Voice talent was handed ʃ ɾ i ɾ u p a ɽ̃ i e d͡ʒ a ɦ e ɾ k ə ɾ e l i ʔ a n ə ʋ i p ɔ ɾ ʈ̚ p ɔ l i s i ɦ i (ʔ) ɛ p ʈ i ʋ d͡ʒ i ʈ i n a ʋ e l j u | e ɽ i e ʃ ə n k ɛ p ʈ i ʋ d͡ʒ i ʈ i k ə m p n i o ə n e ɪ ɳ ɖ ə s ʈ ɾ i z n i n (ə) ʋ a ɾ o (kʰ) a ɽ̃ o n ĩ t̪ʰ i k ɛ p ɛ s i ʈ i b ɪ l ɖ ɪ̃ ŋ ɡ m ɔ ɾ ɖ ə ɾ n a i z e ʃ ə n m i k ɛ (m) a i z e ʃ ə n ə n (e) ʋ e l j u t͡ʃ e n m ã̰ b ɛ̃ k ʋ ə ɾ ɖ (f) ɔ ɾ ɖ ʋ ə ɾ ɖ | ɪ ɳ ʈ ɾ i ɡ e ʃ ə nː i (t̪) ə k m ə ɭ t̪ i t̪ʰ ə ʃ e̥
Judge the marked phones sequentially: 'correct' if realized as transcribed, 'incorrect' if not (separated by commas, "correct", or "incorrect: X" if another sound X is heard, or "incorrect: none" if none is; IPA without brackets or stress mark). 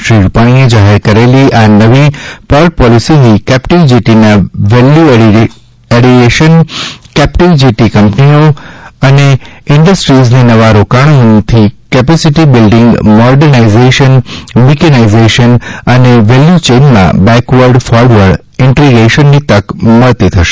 incorrect: k, correct, incorrect: k, incorrect: n, correct, correct, correct